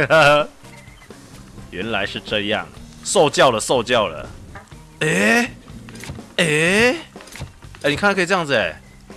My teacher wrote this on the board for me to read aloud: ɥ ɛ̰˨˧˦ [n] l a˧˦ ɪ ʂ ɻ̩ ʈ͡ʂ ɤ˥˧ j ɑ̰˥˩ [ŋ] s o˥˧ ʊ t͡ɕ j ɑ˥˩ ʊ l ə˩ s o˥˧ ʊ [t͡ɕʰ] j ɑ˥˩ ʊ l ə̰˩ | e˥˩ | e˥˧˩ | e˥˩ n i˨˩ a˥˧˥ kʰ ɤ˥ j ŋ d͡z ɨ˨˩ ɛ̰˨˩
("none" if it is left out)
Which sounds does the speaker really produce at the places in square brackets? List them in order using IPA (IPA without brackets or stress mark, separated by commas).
n, ŋ, t͡ɕ